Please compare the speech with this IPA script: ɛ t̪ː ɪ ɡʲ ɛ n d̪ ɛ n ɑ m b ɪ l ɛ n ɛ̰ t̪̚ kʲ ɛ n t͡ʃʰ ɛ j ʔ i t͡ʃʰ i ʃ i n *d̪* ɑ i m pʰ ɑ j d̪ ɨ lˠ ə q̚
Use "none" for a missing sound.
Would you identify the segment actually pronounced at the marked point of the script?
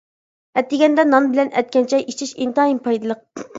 t̪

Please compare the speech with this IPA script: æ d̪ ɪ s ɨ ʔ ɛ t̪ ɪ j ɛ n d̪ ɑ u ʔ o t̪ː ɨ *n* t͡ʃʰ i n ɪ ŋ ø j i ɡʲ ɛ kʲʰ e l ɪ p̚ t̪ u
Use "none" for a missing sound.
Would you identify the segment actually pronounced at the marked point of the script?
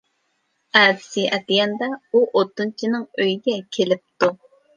n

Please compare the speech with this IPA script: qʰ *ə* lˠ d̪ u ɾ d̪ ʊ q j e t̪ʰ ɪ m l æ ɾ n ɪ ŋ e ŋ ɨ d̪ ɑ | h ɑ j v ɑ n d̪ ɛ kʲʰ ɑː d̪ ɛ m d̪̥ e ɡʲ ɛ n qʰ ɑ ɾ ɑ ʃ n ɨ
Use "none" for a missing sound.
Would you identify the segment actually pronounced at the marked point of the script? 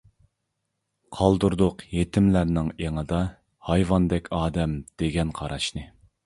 ɑ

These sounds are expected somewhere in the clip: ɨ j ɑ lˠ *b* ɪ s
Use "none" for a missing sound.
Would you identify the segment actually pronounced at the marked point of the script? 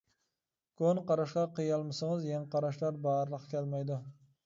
m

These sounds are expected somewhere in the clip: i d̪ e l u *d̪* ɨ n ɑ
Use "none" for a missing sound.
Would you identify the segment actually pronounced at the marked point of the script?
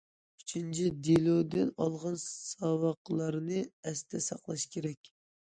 d̪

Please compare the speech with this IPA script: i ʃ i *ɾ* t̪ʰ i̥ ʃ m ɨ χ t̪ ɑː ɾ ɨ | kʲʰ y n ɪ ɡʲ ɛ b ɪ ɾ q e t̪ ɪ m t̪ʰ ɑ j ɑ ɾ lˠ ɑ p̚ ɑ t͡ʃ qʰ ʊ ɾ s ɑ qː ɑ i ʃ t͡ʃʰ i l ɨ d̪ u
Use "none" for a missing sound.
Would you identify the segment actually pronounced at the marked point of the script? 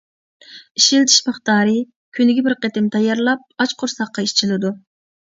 l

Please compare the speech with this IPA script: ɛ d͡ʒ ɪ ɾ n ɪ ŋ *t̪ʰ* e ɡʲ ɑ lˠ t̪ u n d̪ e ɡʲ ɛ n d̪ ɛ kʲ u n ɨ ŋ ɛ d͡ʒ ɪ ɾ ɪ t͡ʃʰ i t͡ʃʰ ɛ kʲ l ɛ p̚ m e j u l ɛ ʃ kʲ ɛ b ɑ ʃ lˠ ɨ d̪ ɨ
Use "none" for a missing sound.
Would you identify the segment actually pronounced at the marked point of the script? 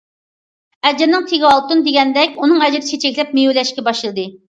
t̪ʰ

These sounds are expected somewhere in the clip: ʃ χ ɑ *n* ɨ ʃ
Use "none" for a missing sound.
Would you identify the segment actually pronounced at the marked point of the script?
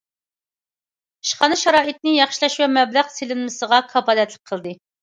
n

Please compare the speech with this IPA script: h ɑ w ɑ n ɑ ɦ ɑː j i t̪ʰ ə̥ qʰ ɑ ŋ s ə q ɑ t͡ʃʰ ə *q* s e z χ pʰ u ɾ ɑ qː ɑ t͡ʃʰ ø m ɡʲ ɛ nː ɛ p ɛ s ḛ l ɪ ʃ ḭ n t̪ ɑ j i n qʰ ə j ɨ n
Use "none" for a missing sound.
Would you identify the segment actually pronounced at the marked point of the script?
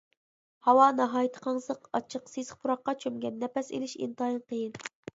q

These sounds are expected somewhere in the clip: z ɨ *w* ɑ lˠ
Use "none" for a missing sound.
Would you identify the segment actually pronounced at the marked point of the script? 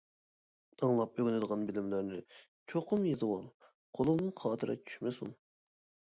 w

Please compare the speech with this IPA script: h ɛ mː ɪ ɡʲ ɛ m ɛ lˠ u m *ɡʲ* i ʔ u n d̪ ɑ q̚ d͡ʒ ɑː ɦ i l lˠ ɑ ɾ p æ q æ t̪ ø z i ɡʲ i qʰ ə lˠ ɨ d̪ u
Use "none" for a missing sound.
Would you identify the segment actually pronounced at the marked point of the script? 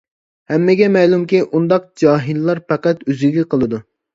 kʲ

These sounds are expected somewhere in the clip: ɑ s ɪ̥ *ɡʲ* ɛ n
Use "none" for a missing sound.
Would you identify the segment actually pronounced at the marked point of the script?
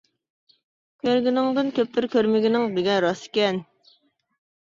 kʲ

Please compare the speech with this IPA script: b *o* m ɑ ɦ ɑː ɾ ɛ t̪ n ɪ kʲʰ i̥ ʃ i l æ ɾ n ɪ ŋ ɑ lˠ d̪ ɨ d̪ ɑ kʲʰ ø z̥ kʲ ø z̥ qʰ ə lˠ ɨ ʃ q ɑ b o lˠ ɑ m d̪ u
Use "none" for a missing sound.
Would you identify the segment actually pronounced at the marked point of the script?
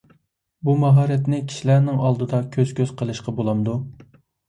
u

